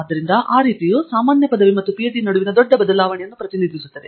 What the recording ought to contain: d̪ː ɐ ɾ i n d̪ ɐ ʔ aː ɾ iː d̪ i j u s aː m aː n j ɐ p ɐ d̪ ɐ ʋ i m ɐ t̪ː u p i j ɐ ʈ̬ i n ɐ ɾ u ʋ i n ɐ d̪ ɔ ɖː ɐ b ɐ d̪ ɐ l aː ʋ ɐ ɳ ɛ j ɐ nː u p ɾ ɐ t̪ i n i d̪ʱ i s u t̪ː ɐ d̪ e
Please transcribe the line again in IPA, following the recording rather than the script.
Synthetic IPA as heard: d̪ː ɐ ɾ i n d̪ ɐ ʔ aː ɾ iː t̪ i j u s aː m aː n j ɐ p ɐ d̪ ɐ ʋ i m ɐ t̪ː u p i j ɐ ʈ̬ i n ɐ ɽ u ʋ i n ɐ d̪ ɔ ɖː ɐ b ɐ d̪ ɐ l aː ʋ ɐ ɳ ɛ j ɐ nː u p ɾ ɐ t̪ i n i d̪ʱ i s u t̪ː ɐ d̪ e

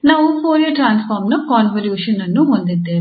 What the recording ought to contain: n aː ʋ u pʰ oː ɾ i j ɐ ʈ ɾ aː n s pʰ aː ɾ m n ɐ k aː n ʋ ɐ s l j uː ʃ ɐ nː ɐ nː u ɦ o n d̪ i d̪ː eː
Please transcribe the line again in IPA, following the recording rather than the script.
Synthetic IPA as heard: n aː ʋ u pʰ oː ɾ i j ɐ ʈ ɾ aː n s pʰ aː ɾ m n ɐ k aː n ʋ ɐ l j uː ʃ ɐ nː ɐ nː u ɦ o n d̪ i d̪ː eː

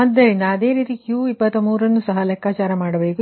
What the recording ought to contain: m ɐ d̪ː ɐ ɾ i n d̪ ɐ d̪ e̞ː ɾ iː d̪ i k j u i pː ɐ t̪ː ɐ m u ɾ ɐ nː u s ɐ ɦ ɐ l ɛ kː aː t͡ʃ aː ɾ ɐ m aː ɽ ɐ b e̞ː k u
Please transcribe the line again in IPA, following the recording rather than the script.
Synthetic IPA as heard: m ɐ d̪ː ɐ ɾ i n d̪ ɐː d̪ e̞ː ɾ iː t̪ i k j u i pː ɐ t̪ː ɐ m uː ɾ ɐ nː u s ɐ ɦ ɐ l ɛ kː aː t͡ʃ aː ɾ ɐ m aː ɽ ɐ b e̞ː k u

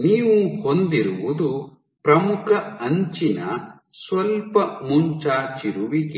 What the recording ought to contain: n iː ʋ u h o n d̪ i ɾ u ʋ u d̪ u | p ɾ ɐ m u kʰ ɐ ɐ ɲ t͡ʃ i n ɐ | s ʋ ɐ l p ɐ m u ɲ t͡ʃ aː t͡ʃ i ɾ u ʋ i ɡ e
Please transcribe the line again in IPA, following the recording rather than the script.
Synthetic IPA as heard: n iː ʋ u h o n d̪ i ɾ u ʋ u d̪ u | p ɾ ɐ m u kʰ ɐ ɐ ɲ t͡ʃ i n ɐ | s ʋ ɐ l p ɐ m u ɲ t͡ʃ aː t͡ʃ i ɾ u ʋ i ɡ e

